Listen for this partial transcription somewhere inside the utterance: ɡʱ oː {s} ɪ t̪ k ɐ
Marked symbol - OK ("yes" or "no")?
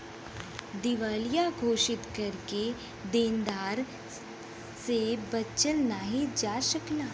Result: no